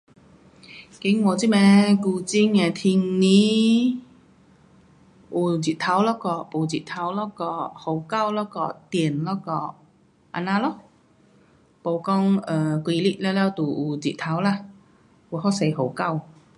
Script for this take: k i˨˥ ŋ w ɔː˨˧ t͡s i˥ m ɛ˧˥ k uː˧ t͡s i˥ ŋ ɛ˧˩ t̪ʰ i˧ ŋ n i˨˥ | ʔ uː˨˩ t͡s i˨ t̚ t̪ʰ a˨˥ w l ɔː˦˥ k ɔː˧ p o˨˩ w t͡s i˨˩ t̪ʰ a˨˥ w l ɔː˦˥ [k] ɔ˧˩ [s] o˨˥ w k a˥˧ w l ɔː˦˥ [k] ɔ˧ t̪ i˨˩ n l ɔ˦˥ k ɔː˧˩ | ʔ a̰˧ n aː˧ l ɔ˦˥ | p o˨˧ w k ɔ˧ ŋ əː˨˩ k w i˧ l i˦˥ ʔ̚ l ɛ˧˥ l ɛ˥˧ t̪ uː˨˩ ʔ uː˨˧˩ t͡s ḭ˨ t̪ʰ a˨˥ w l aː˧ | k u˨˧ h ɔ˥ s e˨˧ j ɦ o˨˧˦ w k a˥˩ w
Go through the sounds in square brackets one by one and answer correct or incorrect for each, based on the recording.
correct, incorrect, correct

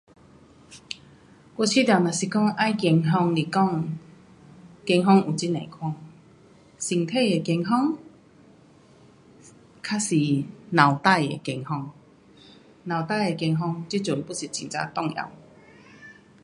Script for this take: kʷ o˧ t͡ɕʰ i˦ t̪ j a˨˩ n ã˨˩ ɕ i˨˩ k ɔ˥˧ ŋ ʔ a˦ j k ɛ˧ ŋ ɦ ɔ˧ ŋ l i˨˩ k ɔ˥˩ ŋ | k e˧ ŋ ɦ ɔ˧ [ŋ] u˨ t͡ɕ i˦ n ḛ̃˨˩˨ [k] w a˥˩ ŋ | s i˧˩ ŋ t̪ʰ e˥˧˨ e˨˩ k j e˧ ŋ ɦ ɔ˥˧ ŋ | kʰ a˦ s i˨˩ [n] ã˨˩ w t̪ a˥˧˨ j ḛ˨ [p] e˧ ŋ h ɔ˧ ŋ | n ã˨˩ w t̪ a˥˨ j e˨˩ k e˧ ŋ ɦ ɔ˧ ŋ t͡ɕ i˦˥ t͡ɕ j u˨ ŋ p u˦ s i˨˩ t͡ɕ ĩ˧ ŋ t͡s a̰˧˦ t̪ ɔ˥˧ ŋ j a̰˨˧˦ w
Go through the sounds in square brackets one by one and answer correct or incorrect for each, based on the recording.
correct, incorrect, correct, incorrect

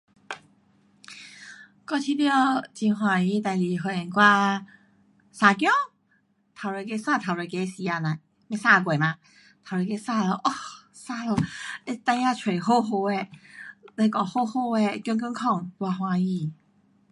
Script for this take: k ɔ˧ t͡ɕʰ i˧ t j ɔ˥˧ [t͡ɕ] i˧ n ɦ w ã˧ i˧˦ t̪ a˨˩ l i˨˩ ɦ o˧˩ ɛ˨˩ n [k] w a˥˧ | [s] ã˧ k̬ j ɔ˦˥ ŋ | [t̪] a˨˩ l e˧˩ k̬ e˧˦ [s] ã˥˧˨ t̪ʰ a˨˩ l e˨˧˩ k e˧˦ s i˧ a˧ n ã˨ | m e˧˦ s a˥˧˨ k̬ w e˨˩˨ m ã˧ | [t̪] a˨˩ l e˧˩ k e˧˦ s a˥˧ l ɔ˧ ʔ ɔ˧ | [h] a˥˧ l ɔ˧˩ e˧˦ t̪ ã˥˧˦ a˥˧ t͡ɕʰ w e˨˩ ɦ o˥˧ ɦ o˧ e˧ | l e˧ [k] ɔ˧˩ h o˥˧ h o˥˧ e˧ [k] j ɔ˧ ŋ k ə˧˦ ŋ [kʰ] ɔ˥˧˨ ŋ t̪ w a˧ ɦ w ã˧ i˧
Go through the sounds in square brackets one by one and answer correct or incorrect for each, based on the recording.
correct, correct, correct, incorrect, correct, incorrect, incorrect, correct, correct, correct

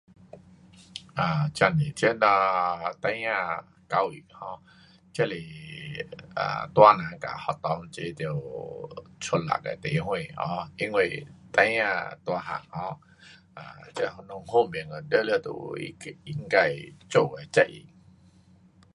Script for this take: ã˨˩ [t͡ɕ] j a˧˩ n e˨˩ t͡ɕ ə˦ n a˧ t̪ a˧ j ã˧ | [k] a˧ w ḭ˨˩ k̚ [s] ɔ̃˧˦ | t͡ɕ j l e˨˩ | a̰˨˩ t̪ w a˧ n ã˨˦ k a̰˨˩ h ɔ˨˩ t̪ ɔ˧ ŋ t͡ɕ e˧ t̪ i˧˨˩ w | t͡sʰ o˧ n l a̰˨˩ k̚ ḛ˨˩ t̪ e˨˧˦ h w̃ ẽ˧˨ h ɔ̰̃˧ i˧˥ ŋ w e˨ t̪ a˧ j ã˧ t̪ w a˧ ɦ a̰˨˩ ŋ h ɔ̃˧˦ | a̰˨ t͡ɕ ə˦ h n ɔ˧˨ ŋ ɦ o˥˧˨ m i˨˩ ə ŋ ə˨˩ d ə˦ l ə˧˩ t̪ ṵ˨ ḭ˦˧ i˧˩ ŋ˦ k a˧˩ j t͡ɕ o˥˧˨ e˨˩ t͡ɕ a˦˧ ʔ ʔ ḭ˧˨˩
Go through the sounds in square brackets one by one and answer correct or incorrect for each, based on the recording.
correct, correct, incorrect

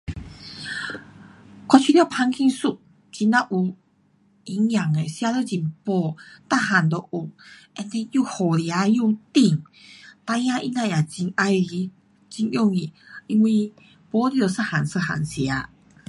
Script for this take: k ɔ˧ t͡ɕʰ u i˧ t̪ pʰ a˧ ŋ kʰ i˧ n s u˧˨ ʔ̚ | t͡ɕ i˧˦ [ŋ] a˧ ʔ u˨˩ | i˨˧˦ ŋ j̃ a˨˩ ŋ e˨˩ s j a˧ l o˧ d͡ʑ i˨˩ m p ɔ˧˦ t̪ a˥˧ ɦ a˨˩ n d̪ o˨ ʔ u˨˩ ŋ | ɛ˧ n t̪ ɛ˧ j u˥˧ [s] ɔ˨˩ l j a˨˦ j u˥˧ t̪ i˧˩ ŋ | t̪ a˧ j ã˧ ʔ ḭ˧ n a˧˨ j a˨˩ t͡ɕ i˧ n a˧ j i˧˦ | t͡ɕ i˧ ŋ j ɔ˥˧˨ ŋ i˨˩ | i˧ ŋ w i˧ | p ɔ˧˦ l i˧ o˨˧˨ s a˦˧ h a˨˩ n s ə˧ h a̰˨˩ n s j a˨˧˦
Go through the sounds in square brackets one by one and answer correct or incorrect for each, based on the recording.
incorrect, incorrect

